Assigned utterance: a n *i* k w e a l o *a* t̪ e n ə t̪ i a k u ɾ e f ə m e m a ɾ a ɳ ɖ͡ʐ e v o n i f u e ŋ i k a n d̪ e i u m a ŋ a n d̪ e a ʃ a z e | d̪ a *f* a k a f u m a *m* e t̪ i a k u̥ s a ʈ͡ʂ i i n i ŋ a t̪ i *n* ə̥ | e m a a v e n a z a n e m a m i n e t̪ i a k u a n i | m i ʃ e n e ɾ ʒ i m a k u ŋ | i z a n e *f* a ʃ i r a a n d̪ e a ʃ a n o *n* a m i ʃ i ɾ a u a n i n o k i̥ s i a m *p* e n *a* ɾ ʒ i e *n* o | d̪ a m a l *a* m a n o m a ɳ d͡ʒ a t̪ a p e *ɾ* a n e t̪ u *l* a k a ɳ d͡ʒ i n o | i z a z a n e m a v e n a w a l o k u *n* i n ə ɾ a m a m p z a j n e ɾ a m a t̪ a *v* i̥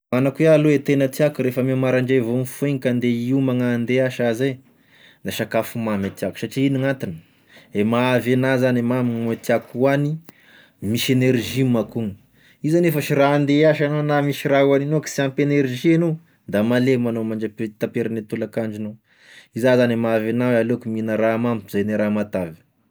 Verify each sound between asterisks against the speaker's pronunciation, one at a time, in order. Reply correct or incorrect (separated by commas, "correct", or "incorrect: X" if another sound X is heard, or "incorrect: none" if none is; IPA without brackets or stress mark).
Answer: incorrect: a, incorrect: e, incorrect: ʃ, correct, correct, correct, correct, correct, incorrect: e, correct, incorrect: e, correct, correct, incorrect: m, correct